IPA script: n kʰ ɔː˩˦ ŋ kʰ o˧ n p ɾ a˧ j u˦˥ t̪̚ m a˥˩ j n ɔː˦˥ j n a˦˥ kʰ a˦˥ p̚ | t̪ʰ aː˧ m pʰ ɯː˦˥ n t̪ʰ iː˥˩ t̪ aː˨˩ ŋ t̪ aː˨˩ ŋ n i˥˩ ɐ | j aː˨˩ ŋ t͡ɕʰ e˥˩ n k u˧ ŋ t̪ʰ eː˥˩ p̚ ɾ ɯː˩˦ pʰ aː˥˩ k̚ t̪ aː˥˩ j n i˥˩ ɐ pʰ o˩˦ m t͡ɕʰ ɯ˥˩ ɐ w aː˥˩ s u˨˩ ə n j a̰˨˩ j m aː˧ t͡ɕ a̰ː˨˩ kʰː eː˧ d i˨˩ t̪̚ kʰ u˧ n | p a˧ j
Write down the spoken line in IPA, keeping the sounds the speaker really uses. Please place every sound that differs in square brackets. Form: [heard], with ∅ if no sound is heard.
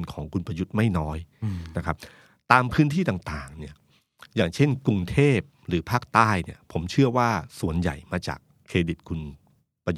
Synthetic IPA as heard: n kʰ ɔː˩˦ ŋ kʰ [u˧] n p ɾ a˧ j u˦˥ t̪̚ m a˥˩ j n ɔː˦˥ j n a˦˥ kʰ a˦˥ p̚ | [t̪] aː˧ m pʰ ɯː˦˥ n t̪ʰ iː˥˩ t̪ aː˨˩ ŋ t̪ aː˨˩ ŋ n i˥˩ ɐ | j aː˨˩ ŋ t͡ɕʰ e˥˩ n k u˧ ŋ t̪ʰ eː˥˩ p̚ ɾ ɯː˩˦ pʰ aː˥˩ k̚ t̪ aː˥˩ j n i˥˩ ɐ pʰ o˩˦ m t͡ɕʰ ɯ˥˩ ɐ w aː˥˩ s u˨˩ ə n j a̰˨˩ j m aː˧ t͡ɕ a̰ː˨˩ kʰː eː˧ d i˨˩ t̪̚ kʰ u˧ n | p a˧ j